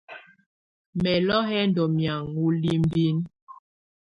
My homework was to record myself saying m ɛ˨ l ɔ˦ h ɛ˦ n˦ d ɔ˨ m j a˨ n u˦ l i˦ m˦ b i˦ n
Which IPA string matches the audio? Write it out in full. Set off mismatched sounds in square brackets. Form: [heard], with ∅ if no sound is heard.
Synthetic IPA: m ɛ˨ l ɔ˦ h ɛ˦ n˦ d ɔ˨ m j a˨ [ŋ] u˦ l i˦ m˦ b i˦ n